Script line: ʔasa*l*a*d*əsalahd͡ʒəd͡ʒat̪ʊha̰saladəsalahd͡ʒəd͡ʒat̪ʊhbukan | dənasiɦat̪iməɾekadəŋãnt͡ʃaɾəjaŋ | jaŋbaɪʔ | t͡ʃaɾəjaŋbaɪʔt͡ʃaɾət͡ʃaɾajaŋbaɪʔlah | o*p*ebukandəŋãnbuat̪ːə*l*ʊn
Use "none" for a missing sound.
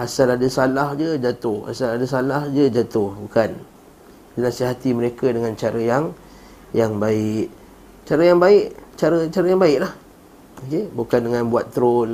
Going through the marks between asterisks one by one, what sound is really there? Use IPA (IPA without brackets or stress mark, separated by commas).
l, d, k, ɾ